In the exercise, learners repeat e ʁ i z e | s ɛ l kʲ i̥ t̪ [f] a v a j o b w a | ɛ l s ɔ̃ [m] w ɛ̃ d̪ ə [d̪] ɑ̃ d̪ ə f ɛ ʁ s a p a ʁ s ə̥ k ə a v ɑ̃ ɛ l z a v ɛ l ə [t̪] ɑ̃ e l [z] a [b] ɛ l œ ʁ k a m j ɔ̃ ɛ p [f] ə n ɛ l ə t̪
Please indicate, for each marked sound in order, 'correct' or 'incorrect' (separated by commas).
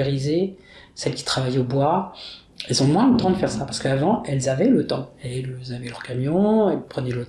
incorrect, correct, incorrect, correct, correct, incorrect, incorrect